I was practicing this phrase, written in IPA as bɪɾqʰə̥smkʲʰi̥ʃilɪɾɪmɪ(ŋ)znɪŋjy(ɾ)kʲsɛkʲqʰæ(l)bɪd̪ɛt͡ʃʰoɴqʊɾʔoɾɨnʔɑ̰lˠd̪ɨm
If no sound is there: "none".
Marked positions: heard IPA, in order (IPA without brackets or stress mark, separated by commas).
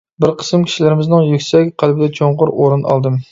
none, none, l